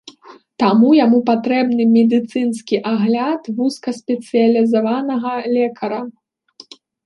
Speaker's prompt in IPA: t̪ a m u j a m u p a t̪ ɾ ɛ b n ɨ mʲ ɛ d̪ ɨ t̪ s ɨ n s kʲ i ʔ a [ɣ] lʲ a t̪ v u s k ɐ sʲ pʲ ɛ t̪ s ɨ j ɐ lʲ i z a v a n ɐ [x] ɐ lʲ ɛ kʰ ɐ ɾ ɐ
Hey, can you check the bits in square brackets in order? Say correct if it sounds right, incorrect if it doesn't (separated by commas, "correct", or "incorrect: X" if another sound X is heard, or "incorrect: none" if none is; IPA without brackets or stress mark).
correct, incorrect: ɣ